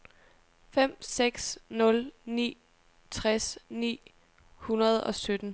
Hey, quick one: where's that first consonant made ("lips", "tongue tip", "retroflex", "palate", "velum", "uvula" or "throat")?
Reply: lips